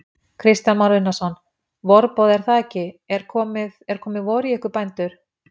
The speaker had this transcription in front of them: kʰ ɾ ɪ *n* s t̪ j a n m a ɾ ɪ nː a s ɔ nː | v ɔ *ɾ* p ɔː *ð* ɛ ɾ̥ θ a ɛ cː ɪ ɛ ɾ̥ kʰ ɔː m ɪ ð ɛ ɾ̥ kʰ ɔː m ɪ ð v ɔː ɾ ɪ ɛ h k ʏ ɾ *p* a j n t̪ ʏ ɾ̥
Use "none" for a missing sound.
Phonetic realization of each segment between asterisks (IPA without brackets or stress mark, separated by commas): none, ɾ, ð, p